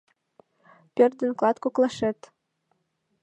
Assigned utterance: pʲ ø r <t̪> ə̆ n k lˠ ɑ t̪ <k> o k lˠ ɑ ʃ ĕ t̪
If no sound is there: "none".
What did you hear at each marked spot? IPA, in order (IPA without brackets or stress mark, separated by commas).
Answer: d̪, k